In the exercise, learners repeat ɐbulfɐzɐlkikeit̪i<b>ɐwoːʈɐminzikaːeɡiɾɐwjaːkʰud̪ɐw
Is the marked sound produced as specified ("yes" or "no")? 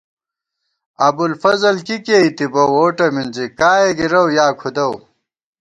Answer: yes